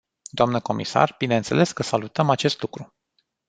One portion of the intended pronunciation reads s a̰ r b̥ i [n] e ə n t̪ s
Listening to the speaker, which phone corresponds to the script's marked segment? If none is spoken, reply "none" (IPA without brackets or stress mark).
n